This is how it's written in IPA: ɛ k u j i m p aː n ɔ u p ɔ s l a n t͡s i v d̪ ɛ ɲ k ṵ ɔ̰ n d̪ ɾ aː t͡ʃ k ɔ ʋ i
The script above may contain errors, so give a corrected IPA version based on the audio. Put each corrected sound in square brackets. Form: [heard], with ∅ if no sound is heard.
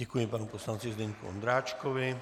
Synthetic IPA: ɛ k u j [ɛ] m p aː n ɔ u p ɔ s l a n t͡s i [z] d̪ ɛ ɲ k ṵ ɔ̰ n d̪ ɾ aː t͡ʃ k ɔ ʋ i